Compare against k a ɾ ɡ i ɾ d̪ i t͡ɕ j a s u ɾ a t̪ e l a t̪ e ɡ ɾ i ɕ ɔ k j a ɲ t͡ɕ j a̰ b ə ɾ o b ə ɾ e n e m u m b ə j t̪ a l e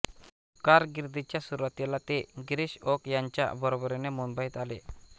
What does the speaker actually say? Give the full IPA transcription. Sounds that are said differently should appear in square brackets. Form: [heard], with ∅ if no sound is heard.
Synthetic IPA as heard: k a ɾ ɡ i ɾ d̪ i t͡ɕ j a s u ɾ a t̪ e l a t̪ e ɡ ɾ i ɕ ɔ k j a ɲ t͡ɕ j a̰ b ə ɾ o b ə ɾ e n e m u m b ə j t̪ a l e